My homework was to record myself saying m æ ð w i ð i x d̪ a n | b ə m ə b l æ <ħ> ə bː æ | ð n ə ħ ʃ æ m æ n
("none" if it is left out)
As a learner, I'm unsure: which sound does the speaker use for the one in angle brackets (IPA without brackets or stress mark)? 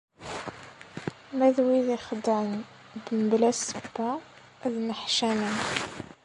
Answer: s